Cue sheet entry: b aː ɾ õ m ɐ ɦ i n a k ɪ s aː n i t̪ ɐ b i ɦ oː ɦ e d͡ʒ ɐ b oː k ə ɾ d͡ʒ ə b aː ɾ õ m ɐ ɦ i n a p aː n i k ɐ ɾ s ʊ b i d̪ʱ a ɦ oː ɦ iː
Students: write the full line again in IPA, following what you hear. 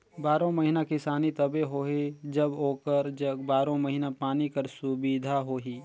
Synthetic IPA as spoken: b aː ɾ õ m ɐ ɦ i n a k ɪ s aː n i t̪ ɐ b e ɦ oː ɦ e d͡ʒ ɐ b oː k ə ɾ d͡ʒ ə b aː ɾ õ m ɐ ɦ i n a p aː n i k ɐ ɾ s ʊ b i d̪ʱ a ɦ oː ɦ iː